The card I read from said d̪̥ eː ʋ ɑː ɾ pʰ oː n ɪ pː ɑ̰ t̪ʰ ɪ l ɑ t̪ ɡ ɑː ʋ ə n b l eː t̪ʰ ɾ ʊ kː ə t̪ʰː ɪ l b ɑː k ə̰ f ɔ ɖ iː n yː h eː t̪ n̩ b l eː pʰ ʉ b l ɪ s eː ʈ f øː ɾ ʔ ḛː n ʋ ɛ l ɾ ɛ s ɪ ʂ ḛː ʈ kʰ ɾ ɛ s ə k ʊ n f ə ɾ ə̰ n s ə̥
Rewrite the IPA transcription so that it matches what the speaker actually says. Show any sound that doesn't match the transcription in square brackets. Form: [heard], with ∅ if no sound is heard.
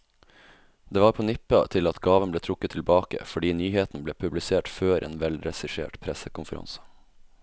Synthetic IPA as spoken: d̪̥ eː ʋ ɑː ɾ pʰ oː n ɪ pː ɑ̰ t̪ʰ ɪ l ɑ t̪ ɡ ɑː ʋ ə n b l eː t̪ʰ ɾ ʊ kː ə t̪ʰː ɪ l b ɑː k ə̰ f ɔ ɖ iː n yː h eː t̪ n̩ b l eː pʰ ʉ b l ɪ s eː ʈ f øː ɾ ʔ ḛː n ʋ ɛ l ɾ ɛ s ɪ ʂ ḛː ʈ [pʰ] ɾ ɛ s ə k ʊ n f ə ɾ [ɑ̰] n s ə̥